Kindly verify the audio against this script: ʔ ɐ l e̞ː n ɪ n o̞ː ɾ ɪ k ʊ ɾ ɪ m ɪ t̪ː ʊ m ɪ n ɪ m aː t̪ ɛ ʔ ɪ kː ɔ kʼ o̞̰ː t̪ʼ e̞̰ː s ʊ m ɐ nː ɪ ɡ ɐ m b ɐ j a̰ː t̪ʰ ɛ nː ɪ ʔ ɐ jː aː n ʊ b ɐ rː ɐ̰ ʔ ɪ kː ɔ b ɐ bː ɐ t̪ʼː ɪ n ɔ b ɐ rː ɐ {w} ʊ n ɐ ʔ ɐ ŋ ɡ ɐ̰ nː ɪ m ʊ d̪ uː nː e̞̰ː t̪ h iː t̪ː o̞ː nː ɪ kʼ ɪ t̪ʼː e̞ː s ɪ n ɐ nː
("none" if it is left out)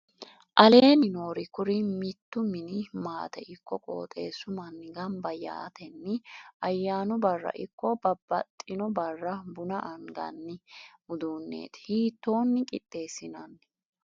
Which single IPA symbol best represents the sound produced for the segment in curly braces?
b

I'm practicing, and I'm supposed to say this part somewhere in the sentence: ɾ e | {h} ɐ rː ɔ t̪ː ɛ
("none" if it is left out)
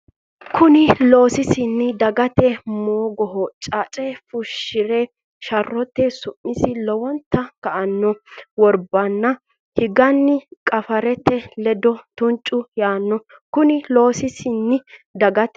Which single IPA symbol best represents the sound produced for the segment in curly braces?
ʃ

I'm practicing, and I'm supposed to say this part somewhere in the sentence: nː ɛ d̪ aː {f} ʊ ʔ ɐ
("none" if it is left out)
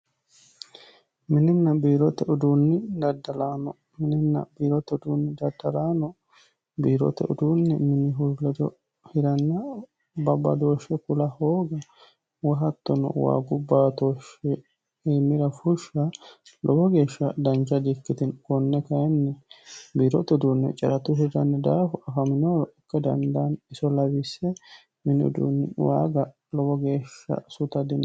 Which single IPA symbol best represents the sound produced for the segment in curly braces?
f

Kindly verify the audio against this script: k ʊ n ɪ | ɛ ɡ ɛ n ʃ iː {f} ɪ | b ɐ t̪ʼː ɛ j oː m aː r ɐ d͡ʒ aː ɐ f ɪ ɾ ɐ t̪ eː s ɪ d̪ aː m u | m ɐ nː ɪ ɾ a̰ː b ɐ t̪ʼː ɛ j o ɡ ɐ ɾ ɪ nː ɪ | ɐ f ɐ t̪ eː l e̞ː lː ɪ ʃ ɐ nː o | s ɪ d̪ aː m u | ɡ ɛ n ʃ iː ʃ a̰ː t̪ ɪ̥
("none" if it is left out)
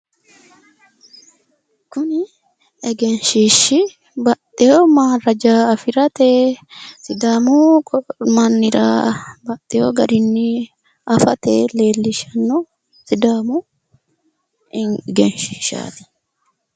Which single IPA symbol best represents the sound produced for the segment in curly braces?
ʃ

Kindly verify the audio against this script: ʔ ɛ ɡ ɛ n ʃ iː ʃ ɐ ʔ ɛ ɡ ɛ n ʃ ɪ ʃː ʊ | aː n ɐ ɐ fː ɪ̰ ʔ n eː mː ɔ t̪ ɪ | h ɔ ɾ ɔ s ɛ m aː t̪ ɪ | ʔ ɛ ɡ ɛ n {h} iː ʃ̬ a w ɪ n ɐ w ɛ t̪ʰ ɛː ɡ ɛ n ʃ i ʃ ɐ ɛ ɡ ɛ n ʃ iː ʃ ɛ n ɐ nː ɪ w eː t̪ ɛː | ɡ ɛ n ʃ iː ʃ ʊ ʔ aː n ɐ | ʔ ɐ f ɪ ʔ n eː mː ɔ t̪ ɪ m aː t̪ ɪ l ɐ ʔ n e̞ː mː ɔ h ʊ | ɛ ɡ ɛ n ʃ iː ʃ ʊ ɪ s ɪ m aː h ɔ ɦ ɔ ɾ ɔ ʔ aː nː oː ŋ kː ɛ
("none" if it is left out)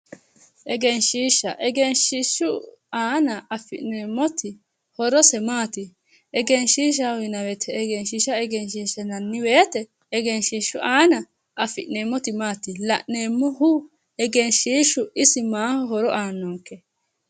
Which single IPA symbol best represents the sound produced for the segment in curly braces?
ʃ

